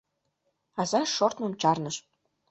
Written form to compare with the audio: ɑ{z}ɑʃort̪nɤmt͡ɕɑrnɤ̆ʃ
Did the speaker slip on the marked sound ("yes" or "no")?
no